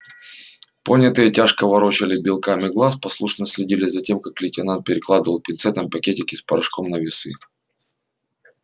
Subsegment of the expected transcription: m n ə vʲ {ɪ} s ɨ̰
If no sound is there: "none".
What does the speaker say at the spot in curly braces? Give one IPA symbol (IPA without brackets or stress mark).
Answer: ɪ